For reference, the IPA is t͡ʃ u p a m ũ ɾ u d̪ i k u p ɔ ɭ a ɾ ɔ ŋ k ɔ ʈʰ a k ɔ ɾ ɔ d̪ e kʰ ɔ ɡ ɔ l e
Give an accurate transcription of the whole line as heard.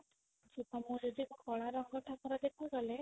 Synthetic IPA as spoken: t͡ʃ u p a m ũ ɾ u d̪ i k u k ɔ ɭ a ɾ ɔ ŋ ɡ ɔ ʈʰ a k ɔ ɾ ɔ d̪ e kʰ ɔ ɡ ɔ l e